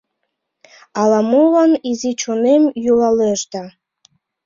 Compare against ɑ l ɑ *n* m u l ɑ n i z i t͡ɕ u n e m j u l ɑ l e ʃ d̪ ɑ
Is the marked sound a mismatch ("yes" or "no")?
yes